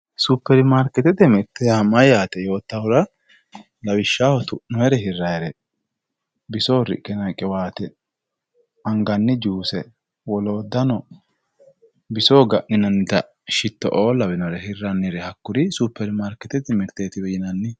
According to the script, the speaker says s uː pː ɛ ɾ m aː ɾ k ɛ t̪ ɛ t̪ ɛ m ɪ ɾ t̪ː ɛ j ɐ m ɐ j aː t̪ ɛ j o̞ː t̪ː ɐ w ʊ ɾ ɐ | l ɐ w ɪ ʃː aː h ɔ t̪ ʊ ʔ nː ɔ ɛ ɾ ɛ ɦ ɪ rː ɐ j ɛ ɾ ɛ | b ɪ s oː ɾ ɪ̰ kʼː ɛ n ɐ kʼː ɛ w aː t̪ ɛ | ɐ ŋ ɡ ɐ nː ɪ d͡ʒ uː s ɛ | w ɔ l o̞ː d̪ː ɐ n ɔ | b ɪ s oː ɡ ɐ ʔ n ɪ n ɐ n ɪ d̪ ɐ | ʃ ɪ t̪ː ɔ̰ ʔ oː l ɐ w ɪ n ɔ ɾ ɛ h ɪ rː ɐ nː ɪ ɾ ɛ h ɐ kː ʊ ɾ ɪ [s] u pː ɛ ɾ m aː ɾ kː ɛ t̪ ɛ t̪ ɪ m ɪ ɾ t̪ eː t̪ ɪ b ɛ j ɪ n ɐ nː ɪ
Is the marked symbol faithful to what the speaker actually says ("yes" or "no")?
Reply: yes